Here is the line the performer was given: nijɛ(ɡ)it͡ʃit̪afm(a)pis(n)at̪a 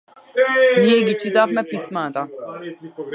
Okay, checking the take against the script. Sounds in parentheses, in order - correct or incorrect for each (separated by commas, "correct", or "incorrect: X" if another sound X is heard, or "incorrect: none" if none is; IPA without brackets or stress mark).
correct, incorrect: ɛ, incorrect: m